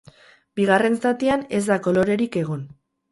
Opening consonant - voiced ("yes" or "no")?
yes